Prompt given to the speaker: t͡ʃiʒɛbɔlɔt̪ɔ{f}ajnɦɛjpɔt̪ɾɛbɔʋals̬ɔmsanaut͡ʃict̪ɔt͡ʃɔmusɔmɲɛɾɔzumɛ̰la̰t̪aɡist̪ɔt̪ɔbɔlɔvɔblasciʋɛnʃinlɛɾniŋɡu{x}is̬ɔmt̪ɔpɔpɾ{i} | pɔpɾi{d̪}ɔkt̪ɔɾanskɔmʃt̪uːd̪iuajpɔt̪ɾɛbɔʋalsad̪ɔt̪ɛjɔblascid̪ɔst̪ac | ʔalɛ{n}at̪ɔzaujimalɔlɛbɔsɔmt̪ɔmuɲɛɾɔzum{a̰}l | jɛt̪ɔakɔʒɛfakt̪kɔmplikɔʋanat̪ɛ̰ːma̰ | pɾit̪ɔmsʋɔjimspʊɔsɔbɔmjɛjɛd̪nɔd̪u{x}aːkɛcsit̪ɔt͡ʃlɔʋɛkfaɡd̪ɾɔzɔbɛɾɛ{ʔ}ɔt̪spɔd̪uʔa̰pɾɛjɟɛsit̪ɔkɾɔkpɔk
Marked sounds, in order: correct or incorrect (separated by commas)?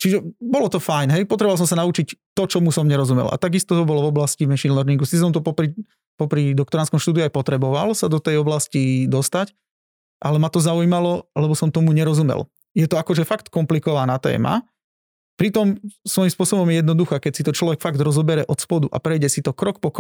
correct, incorrect, correct, correct, incorrect, incorrect, correct, correct